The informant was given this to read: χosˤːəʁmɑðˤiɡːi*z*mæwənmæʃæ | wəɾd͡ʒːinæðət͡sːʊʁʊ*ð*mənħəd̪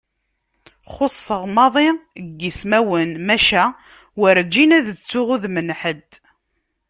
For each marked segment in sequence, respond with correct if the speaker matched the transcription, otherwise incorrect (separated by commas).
incorrect, correct